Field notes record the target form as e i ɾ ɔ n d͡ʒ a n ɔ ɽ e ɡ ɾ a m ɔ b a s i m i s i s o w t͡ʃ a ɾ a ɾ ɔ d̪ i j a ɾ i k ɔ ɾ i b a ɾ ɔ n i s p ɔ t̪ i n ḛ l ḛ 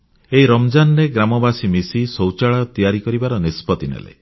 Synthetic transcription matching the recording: e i ɾ ɔ m d͡ʒ a n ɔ ɾ e ɡ ɾ a m ɔ b a s i m i s i s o w t͡ʃ a ɭ a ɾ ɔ t̪ i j a ɾ i k ɔ ɾ i b a ɾ ɔ n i s p ɔ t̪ i n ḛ l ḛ